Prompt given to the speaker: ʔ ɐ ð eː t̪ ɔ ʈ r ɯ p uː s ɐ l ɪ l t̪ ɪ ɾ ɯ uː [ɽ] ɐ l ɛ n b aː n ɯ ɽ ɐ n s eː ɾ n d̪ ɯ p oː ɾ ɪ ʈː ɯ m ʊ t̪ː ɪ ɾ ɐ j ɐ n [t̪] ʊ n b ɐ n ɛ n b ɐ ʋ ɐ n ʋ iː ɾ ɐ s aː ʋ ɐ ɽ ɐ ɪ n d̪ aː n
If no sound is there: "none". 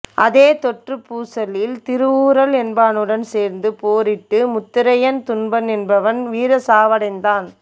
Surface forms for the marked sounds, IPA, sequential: ɾ, t̪

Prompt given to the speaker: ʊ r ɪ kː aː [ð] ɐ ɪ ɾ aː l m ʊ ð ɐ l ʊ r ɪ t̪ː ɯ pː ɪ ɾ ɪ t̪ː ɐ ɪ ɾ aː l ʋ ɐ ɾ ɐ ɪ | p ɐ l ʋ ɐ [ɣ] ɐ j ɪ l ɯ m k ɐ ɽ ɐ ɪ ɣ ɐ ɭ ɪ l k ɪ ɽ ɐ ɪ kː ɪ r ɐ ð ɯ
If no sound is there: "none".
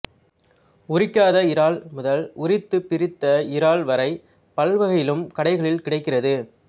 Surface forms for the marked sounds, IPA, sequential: ð, ɣ

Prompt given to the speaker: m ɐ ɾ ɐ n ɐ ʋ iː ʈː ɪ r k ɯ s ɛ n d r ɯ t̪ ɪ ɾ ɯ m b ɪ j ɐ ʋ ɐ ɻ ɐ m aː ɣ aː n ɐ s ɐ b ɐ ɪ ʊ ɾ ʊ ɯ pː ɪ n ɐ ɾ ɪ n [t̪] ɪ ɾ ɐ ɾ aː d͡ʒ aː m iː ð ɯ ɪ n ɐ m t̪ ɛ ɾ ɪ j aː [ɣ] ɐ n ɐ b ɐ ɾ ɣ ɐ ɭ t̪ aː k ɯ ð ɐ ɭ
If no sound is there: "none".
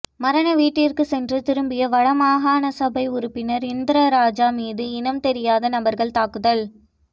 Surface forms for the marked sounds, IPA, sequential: d̪, ð

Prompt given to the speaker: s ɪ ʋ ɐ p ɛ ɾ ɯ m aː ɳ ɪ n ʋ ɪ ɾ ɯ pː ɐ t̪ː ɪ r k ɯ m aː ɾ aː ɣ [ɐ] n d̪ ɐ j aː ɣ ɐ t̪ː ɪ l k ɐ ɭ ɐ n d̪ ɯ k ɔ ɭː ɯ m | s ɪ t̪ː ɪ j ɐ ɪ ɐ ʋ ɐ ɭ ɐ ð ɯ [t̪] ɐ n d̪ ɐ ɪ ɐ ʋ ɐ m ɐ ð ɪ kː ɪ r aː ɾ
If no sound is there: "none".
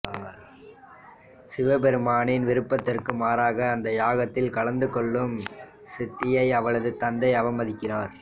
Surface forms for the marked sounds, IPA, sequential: ɐː, t̪

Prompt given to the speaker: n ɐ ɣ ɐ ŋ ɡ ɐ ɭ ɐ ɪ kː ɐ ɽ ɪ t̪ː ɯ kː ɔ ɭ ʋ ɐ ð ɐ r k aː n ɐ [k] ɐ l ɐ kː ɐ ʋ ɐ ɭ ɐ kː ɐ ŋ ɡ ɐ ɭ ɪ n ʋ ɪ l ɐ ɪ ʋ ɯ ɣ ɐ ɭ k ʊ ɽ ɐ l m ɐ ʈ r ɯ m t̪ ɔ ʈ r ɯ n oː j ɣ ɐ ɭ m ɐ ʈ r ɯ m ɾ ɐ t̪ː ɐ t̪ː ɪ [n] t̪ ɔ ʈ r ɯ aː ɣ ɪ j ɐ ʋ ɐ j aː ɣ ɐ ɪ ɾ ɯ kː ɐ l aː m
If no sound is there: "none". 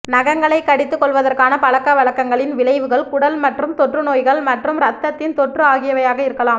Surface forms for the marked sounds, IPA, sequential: p, n

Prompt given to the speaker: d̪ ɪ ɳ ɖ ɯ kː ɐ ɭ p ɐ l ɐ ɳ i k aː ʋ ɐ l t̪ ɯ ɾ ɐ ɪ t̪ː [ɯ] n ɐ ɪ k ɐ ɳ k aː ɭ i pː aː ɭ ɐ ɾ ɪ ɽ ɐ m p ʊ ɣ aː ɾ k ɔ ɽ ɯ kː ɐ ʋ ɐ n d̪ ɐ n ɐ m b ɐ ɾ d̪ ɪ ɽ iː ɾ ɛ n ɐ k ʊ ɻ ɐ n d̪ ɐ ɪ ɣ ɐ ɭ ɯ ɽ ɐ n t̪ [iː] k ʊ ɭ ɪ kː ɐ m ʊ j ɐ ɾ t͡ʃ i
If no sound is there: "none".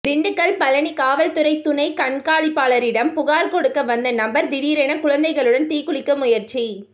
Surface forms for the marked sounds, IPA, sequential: ʊ, iː

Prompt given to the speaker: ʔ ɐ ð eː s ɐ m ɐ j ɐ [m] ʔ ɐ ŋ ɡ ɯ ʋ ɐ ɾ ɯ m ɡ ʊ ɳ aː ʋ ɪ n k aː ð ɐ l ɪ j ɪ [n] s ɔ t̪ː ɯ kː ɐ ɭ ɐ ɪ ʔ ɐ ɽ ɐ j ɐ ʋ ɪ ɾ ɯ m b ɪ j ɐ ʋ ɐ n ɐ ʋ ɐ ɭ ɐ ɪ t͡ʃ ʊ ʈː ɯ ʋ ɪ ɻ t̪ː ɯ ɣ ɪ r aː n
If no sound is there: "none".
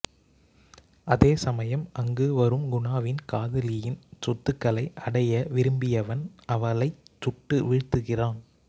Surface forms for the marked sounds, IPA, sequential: m, n

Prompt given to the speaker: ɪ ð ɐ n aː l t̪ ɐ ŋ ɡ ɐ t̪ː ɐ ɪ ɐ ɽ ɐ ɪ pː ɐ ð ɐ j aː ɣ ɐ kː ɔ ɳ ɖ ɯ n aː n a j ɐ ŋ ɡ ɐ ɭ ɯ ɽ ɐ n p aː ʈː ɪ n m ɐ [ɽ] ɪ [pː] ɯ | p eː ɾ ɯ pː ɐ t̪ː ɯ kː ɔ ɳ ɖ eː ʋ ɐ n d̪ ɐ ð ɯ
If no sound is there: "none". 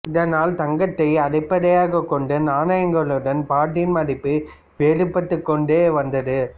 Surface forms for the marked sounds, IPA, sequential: ɽ, pː

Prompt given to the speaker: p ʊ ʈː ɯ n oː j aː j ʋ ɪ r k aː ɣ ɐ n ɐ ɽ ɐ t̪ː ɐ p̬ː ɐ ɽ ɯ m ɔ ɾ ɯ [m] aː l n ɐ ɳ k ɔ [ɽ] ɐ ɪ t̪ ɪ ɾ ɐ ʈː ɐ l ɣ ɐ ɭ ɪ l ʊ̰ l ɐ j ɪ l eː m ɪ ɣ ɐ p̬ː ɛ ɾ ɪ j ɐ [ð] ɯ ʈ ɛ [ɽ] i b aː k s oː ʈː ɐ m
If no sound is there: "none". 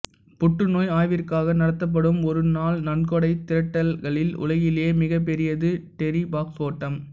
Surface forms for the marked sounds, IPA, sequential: n, ɽ, ð, ɾ

